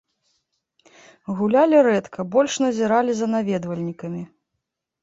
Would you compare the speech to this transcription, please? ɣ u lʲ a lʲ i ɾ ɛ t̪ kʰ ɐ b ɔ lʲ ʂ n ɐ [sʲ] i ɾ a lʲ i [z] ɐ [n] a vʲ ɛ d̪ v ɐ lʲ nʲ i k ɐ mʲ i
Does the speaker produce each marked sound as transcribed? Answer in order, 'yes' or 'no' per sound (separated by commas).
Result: no, yes, yes